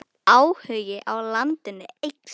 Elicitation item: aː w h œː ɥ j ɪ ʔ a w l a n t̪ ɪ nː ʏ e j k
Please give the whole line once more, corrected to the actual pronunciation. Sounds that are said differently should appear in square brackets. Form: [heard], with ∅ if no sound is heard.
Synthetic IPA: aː w h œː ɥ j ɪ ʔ a w l a n t̪ ɪ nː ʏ e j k